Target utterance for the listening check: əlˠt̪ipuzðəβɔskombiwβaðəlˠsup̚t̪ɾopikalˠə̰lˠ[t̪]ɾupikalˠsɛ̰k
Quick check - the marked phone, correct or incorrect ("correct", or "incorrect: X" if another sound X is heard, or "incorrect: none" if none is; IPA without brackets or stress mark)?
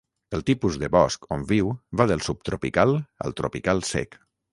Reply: correct